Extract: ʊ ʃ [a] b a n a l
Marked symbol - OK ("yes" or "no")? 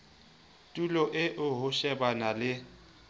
no